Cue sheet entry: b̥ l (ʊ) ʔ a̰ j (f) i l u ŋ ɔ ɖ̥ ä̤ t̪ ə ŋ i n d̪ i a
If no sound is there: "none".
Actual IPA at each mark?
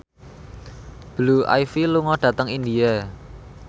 u, f

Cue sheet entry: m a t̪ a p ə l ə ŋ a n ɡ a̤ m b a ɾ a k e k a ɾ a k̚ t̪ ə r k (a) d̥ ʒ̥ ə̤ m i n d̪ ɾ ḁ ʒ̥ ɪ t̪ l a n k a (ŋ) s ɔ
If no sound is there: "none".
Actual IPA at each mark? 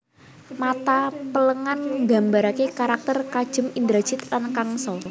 a, ŋ

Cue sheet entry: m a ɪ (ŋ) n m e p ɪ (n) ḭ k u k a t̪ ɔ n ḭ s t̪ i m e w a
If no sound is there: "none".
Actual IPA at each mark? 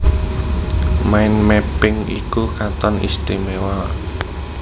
none, ŋ

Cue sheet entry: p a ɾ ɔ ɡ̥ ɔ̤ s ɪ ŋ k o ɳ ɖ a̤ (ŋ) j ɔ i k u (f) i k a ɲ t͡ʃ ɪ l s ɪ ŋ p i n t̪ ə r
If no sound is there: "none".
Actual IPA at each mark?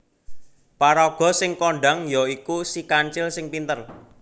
ŋ, s

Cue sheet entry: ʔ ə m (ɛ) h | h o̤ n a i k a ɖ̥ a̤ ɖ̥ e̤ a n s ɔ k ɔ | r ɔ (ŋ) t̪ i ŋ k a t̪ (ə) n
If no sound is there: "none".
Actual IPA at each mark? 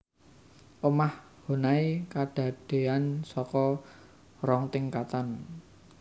a, ŋ, a

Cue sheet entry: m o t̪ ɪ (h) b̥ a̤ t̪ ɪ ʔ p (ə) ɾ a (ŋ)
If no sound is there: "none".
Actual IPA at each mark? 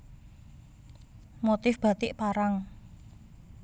f, a, ŋ

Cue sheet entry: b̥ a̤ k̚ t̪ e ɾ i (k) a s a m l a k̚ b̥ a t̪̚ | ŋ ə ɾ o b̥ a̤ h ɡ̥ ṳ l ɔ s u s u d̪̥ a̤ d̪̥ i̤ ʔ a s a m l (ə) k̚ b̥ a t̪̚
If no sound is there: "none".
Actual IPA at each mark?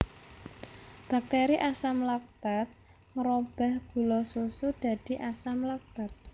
ʔ, a

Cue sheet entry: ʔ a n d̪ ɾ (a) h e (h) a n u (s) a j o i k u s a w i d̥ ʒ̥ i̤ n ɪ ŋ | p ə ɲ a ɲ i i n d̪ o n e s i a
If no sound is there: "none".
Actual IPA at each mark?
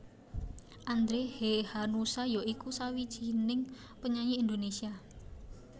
e, h, s

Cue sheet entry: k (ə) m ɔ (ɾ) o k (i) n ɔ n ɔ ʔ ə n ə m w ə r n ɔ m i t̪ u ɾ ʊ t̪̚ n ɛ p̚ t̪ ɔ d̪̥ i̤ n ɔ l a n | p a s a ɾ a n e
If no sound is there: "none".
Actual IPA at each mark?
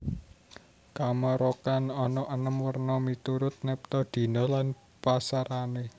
a, ɾ, a

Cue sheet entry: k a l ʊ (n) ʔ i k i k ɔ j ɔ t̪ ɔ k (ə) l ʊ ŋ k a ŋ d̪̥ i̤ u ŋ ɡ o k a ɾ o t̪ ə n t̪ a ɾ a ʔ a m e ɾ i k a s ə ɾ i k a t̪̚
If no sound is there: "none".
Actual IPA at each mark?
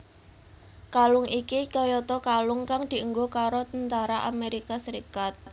ŋ, a

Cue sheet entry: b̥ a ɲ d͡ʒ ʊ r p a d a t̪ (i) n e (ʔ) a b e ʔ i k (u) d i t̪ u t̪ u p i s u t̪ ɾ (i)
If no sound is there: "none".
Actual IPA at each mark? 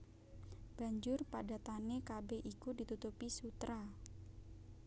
a, k, u, a

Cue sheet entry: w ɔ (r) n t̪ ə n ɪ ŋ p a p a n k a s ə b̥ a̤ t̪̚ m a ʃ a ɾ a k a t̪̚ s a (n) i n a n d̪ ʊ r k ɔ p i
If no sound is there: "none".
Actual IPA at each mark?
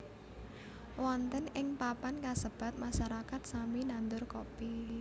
none, m

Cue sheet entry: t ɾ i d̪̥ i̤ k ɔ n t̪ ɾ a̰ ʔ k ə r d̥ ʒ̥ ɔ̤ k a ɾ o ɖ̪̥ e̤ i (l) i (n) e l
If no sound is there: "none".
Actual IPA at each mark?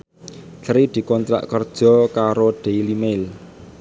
l, m

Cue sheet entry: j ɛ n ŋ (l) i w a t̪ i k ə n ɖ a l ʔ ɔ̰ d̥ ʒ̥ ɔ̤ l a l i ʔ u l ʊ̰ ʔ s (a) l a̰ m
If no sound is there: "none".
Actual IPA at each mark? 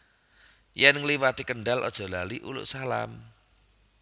l, a

